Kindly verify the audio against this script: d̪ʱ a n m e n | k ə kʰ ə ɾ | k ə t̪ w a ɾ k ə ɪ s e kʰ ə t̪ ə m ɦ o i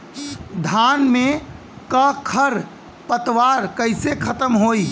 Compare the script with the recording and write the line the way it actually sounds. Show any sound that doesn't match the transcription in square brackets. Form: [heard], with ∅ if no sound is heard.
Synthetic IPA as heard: d̪ʱ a n m e [∅] | k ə kʰ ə ɾ | [p] ə t̪ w a ɾ k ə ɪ s e kʰ ə t̪ ə m ɦ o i